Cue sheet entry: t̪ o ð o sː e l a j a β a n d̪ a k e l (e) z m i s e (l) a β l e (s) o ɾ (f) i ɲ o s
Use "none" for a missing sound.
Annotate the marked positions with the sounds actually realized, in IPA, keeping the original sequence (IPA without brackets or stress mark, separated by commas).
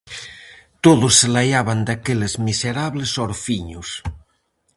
e, ɾ, s, f